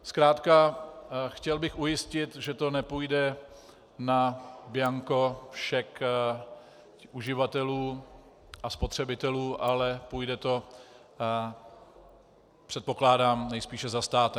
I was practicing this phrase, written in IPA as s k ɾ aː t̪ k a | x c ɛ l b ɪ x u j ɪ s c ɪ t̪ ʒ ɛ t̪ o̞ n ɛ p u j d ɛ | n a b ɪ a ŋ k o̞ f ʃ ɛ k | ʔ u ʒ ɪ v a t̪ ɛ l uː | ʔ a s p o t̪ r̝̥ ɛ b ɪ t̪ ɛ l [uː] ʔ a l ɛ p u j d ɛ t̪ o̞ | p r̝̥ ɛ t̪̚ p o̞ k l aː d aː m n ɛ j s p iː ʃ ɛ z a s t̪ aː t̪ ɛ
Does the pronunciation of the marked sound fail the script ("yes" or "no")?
no